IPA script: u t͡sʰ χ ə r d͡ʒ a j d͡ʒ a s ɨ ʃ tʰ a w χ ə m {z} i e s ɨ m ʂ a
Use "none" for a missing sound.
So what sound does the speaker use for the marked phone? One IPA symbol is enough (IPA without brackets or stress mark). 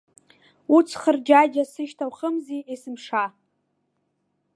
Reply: z